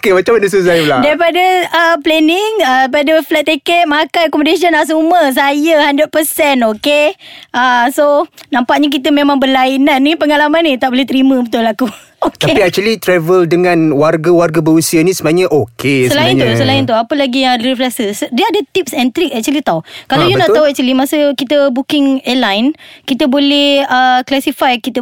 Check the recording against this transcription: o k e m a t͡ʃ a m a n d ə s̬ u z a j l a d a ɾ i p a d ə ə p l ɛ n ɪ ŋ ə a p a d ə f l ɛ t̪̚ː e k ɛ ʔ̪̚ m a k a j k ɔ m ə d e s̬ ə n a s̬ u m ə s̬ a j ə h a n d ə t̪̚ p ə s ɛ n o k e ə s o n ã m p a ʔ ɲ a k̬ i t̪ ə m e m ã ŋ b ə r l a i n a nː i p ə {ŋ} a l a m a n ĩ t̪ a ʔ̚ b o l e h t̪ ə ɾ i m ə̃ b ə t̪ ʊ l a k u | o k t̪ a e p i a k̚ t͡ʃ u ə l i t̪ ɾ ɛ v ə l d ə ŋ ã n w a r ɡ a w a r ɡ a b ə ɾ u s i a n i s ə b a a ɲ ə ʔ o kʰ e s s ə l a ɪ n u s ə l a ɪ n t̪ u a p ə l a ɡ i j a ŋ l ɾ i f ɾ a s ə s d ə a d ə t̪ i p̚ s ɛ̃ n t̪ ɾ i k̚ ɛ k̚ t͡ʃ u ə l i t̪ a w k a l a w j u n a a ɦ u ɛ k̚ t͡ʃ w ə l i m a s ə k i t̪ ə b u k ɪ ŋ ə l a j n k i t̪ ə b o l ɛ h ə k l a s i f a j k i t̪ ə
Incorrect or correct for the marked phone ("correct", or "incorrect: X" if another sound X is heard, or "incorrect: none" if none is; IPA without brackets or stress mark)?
correct